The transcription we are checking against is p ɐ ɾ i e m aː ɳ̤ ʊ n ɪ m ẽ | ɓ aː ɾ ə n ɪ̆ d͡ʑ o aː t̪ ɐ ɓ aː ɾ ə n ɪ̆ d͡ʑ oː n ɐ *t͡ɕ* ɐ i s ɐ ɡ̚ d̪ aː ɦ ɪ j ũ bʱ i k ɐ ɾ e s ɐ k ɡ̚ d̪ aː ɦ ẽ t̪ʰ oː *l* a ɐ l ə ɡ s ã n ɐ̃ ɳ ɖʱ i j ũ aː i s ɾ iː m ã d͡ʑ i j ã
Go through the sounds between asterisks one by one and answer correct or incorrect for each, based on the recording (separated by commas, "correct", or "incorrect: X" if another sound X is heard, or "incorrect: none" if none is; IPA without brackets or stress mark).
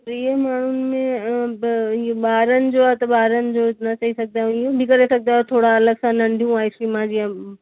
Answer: correct, incorrect: ɽ